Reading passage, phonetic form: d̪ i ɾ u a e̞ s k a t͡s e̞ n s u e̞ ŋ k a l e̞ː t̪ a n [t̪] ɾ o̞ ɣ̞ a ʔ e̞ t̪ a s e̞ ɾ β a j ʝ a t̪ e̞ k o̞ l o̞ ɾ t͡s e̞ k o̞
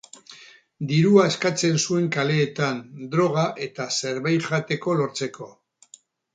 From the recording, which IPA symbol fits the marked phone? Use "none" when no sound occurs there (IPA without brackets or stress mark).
d̪